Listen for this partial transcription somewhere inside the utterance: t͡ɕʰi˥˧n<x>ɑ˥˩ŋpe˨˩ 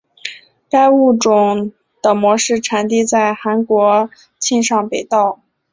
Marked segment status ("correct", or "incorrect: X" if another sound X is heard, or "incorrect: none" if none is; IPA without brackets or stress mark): incorrect: ʂ